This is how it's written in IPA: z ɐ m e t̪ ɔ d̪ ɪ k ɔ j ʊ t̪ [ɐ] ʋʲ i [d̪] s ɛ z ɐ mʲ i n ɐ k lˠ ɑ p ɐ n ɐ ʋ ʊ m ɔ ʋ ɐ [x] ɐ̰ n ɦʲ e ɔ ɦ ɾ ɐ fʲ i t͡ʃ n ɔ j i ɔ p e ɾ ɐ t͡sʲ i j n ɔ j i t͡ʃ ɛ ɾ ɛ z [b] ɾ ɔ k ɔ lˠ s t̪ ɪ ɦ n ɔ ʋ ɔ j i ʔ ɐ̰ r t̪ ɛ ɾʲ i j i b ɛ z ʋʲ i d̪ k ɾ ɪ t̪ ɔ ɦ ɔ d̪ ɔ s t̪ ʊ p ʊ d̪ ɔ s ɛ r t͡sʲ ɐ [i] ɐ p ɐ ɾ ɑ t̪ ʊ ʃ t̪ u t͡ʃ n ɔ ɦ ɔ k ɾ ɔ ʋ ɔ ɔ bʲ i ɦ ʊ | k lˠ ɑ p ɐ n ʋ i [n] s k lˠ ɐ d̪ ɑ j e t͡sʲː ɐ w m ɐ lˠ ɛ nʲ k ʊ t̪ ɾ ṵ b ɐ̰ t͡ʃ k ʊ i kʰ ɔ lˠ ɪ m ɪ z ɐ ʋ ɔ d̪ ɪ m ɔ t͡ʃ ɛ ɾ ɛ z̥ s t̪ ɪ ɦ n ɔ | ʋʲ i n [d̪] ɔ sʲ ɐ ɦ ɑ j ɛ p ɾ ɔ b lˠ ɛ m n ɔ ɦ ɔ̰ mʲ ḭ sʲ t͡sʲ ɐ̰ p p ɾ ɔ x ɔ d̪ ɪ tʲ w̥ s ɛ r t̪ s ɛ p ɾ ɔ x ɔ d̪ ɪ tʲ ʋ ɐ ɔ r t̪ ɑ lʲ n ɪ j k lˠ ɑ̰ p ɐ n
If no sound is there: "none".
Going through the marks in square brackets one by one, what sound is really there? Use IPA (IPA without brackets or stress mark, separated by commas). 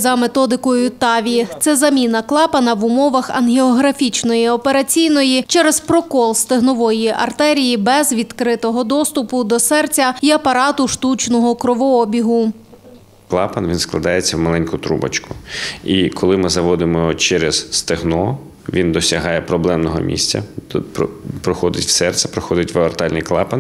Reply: ɑ, t̪, x, p, i, n, d̪